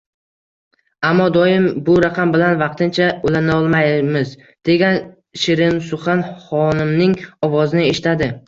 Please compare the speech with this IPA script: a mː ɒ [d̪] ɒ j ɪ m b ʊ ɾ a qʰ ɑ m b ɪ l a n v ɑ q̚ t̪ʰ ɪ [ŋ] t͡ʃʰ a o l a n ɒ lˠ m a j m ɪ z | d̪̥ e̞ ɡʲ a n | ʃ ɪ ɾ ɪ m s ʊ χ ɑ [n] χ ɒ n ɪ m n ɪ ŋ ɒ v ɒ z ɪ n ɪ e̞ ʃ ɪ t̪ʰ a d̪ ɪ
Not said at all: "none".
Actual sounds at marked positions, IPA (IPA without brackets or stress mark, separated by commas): d̪, n, n